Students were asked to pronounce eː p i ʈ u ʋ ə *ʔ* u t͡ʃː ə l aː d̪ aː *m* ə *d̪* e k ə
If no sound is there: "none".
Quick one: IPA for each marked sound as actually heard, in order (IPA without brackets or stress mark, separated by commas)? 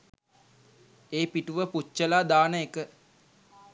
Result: p, n, none